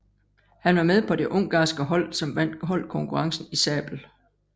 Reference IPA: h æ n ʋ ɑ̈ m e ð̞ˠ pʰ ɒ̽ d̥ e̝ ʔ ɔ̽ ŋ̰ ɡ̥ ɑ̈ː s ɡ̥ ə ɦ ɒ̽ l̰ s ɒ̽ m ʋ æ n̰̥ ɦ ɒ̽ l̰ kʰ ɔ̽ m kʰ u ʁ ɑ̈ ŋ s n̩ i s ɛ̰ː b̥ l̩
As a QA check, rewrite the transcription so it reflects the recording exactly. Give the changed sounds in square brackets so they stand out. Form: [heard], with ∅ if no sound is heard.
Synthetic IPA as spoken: h æ n ʋ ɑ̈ m e ð̞ˠ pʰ ɒ̽ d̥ e̝ ʔ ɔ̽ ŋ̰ ɡ̥ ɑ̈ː s ɡ̥ ə ɦ ɒ̽ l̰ s ɒ̽ m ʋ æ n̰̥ ɦ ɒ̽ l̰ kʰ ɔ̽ [ŋ] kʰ u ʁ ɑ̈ ŋ s n̩ i s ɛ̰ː b̥ l̩